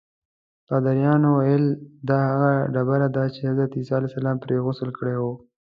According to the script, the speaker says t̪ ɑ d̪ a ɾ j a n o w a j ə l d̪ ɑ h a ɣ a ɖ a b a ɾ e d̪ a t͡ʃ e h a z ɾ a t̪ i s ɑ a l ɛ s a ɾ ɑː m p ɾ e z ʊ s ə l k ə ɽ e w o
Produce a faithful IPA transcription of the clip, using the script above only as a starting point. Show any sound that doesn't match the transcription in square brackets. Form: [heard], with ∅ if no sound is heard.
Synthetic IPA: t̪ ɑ d̪ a ɾ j [ɑ] n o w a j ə l d̪ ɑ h a ɣ a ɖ a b a ɾ [a] d̪ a t͡ʃ e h a z ɾ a t̪ i s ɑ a l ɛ s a [l] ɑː m p ɾ e [ɣ] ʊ s ə l k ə ɽ e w o